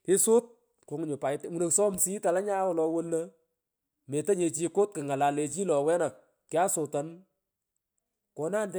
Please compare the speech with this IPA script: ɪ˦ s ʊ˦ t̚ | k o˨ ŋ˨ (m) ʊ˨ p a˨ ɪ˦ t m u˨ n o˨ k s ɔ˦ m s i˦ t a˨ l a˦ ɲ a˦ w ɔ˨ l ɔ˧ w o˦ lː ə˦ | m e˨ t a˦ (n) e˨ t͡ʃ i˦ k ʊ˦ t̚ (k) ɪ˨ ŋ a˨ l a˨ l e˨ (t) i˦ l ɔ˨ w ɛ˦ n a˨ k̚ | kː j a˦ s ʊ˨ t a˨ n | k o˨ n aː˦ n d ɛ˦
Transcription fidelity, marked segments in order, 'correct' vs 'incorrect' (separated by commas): incorrect, incorrect, correct, incorrect